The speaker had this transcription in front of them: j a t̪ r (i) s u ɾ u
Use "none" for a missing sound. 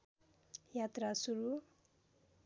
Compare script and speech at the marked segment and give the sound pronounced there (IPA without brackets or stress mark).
a